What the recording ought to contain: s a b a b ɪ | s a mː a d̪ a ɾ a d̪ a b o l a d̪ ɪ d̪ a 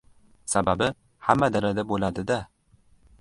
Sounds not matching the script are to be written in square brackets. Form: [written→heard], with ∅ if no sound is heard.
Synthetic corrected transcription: s a b a b ɪ | [s→h] a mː a d̪ a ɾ a d̪ a b o l a d̪ ɪ d̪ a